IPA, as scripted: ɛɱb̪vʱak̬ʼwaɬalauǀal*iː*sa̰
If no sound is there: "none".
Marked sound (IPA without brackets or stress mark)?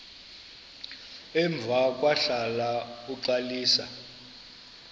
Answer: iː